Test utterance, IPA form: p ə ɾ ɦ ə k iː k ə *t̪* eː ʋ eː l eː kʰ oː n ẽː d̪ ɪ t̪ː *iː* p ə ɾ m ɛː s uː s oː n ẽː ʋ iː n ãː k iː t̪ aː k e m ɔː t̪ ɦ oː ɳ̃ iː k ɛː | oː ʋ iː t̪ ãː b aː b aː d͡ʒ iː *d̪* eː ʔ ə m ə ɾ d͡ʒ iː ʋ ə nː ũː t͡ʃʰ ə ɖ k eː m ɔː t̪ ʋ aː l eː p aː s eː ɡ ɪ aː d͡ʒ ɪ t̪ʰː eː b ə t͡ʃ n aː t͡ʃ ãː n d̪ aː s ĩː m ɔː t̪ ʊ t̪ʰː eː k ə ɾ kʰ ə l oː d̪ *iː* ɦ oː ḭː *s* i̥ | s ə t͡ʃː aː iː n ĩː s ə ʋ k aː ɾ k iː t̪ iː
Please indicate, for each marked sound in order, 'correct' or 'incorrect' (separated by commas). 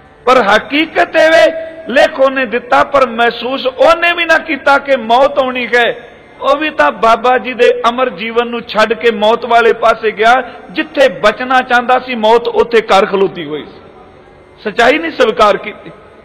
correct, incorrect, correct, correct, correct